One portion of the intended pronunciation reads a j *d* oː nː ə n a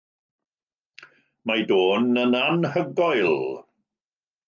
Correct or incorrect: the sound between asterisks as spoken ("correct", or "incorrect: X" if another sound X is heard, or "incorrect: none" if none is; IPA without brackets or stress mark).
correct